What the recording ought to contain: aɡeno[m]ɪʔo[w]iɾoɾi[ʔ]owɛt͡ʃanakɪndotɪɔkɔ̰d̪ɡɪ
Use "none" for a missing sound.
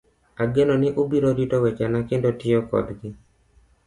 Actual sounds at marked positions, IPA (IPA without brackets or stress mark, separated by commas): n, b, t